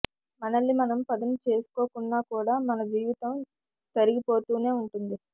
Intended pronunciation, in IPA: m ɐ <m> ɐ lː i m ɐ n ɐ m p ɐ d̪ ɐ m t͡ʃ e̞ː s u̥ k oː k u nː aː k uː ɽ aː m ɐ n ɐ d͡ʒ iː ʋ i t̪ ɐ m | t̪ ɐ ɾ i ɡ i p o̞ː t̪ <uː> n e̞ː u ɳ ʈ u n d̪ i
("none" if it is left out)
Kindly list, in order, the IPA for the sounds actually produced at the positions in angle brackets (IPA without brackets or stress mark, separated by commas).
n, uː